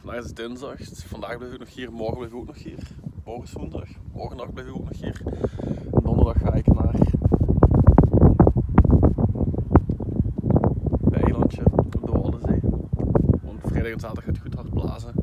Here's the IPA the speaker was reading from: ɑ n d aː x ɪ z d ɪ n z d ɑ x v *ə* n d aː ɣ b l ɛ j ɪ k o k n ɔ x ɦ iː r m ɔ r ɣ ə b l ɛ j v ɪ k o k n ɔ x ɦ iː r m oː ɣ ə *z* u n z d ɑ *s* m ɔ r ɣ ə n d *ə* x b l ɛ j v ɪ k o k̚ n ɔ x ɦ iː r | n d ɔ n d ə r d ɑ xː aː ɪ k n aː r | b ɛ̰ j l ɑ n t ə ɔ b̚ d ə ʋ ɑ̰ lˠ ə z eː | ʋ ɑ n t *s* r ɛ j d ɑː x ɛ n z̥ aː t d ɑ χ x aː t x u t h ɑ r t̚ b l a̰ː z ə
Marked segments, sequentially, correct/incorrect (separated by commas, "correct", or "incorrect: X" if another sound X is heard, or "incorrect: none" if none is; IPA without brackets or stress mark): incorrect: ɑ, incorrect: s, incorrect: x, incorrect: ɑ, incorrect: f